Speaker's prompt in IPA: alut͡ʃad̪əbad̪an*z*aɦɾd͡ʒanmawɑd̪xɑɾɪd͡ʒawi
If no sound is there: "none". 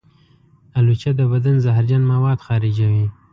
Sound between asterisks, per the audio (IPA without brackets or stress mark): z